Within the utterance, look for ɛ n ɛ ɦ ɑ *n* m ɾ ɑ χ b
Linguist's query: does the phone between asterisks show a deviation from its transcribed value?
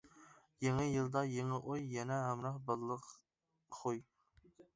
yes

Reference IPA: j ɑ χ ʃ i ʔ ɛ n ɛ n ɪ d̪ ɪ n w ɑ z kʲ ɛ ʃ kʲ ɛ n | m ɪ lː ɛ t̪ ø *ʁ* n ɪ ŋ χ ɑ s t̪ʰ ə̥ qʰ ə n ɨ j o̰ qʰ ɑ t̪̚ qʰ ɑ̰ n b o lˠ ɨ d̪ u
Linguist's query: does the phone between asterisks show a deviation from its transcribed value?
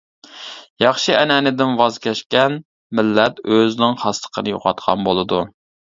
yes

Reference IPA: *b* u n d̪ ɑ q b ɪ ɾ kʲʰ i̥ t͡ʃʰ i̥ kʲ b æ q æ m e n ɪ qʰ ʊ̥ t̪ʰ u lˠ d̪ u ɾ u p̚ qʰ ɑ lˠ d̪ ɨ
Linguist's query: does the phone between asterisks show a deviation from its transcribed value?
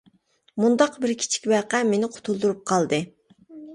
yes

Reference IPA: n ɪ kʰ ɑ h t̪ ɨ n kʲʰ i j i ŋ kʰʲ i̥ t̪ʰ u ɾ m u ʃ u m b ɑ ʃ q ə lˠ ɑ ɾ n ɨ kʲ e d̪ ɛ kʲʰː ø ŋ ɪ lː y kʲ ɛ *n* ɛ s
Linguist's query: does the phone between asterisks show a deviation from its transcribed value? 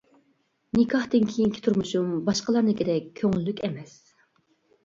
yes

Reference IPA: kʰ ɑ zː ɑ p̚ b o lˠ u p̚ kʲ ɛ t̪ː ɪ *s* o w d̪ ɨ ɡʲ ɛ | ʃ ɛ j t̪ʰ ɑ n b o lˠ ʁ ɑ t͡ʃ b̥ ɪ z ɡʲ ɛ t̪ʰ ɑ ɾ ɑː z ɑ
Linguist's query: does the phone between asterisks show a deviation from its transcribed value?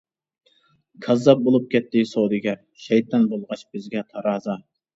no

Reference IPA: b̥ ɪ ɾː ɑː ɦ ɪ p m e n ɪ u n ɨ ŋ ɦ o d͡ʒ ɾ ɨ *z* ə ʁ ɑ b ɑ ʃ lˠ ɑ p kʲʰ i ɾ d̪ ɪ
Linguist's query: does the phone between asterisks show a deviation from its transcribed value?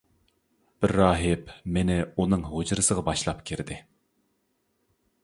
yes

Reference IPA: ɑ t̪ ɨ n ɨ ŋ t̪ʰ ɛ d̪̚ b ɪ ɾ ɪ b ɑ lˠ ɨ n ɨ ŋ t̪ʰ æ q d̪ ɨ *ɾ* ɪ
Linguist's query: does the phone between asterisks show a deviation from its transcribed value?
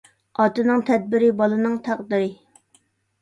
no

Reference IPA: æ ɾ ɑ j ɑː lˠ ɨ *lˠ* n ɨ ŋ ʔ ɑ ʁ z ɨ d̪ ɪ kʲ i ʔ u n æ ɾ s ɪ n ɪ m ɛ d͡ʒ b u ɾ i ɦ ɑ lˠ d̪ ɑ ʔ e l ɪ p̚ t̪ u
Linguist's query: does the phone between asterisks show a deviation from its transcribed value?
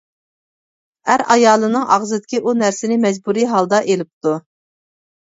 yes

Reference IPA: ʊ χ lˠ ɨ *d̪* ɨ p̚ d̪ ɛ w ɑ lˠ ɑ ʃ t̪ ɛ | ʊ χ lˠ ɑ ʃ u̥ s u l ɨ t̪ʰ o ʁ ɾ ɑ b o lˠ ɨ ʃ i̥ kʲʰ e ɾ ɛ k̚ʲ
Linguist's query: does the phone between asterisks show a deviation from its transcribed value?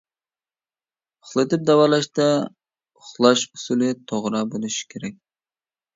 yes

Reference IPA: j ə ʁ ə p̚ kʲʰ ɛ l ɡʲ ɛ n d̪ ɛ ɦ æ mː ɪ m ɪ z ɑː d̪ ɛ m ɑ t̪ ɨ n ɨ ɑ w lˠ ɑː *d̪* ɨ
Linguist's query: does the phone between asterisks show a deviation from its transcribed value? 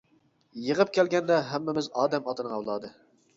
no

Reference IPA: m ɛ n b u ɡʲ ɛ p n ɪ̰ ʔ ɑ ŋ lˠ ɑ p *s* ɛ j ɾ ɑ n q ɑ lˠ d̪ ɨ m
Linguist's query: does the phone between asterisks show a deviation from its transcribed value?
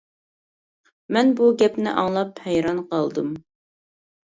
yes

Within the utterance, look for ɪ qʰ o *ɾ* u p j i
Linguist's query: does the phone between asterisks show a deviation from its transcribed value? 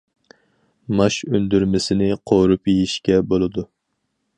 no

